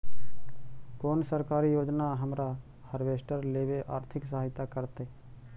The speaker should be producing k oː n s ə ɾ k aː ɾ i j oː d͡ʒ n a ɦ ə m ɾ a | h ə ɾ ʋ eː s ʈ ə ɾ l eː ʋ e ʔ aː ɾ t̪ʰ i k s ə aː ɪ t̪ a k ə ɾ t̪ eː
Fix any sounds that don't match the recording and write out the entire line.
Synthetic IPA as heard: k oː n s ə ɾ k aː ɾ i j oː d͡ʒ n a ɦ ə m ɾ a | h ə ɾ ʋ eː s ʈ ə ɾ l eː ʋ e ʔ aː ɾ t̪ʰ ɪ k s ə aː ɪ t̪ a k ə ɾ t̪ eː